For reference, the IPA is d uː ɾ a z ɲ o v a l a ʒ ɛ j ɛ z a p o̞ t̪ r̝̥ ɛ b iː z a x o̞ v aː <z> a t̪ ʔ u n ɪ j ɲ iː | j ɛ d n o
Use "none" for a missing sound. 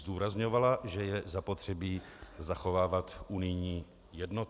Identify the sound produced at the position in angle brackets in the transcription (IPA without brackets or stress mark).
v